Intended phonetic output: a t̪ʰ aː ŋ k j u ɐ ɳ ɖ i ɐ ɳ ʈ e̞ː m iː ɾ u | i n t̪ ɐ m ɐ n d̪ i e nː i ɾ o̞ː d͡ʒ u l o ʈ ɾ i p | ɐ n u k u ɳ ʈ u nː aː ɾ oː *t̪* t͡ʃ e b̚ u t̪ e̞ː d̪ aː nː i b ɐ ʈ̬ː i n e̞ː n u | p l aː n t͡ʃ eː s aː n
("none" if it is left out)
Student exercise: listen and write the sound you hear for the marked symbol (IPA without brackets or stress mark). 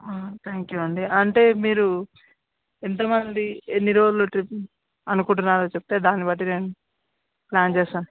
none